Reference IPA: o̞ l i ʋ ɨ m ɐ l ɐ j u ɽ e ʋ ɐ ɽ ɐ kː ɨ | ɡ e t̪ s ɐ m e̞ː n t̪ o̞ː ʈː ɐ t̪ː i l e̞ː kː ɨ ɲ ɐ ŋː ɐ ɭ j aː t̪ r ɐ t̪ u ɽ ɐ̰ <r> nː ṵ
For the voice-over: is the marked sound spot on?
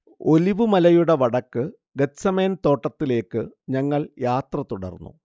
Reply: yes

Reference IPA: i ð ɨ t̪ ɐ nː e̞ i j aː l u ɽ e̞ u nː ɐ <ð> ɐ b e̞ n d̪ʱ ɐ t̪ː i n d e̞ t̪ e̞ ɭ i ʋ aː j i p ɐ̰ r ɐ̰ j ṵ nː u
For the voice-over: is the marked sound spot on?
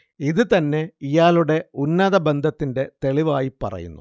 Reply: yes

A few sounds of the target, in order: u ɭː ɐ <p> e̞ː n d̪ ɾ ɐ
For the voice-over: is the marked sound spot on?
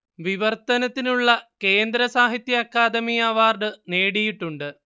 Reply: no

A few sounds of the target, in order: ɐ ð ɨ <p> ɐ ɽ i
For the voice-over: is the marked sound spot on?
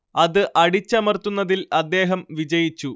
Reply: no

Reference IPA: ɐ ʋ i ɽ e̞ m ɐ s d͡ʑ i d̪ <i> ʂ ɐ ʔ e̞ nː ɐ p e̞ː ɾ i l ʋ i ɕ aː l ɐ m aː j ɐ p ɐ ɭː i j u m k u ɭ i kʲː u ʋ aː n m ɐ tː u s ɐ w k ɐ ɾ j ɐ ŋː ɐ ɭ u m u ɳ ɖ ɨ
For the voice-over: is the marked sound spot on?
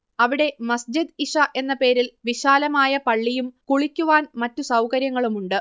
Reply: yes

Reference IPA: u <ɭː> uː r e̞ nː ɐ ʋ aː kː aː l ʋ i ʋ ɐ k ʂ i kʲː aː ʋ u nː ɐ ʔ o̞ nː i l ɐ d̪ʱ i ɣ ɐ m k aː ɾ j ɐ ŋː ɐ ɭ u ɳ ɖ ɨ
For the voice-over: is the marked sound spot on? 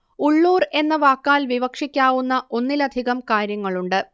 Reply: yes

